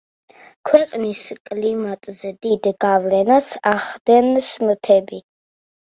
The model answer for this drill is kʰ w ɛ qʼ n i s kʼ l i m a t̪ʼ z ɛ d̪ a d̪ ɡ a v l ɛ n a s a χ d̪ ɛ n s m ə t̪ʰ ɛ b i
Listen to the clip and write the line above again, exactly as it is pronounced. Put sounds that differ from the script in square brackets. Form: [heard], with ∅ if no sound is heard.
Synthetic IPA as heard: kʰ w ɛ qʼ n i s kʼ l i m a t̪ʼ z ɛ d̪ [i] d̪ ɡ a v l ɛ n a s a χ d̪ ɛ n s m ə t̪ʰ ɛ b i